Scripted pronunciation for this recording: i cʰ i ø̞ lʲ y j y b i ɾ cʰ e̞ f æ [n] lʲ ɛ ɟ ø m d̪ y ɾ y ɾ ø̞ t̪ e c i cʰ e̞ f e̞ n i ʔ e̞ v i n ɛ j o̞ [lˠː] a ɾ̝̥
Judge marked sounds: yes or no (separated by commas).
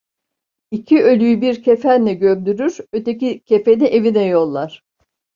yes, yes